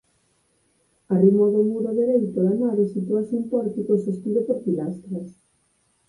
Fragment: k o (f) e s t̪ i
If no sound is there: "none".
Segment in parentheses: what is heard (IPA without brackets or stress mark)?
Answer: s